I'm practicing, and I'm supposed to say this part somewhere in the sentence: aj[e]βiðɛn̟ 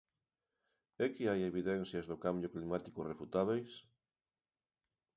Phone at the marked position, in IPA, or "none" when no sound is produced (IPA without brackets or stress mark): e